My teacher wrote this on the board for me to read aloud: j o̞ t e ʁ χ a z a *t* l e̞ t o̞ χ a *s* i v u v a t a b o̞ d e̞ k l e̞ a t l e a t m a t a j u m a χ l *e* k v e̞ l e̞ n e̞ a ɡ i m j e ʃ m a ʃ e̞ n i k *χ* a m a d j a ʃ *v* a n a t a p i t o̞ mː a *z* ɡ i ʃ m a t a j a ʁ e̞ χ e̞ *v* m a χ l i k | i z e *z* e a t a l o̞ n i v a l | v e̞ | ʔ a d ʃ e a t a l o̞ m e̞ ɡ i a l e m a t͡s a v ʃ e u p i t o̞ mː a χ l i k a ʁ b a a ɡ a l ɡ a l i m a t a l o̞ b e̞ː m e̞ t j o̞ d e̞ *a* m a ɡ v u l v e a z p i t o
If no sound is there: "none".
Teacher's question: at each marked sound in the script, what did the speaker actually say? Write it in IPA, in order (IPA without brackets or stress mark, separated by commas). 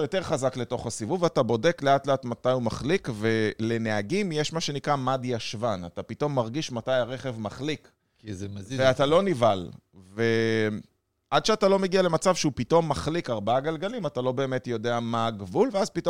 k, s, i, ʁ, v, ʁ, v, v, a